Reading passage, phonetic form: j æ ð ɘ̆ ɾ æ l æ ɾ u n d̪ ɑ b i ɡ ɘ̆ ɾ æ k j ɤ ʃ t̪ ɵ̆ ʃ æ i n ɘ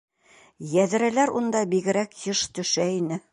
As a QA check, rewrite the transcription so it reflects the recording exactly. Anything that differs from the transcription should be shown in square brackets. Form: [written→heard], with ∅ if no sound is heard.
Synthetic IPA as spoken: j æ ð ɘ̆ ɾ æ l æ ɾ u n d̪ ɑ b i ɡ ɘ̆ ɾ æ k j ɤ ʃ t̪ ɵ̆ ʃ æ i n ɘ